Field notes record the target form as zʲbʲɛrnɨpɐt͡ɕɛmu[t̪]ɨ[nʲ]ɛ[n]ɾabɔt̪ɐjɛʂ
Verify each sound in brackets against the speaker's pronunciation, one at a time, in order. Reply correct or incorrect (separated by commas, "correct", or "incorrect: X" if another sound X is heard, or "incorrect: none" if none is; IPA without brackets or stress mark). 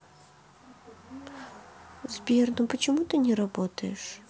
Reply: correct, correct, incorrect: none